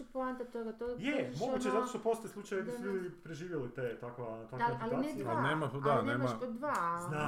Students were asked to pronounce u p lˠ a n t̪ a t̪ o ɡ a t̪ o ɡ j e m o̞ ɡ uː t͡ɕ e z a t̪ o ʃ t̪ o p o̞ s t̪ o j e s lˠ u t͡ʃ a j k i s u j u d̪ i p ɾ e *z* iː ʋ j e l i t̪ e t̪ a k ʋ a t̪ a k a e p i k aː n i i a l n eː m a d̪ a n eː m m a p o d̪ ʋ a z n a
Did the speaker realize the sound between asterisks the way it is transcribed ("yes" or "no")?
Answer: no